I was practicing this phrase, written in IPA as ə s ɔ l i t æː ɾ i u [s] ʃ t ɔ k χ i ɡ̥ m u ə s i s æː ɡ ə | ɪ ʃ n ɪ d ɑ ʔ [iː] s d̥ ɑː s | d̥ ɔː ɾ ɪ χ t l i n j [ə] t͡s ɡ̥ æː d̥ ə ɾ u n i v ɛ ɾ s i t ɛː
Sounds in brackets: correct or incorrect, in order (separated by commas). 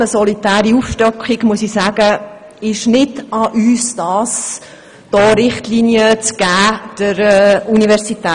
incorrect, incorrect, correct